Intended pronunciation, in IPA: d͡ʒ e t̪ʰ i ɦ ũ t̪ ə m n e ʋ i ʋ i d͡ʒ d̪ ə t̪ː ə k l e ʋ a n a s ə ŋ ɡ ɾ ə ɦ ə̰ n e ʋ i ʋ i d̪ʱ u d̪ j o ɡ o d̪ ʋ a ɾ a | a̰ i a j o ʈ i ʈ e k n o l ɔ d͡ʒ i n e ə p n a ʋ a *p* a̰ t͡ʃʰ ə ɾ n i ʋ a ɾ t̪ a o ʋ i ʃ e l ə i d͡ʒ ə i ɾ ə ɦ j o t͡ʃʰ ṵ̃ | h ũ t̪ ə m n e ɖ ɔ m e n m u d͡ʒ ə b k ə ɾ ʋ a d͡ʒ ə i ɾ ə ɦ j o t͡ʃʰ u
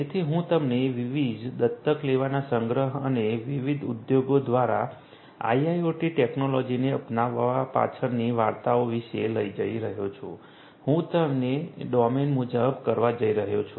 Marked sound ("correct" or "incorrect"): correct